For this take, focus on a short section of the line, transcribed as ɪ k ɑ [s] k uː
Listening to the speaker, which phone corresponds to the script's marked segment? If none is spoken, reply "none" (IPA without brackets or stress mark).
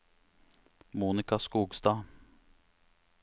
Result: s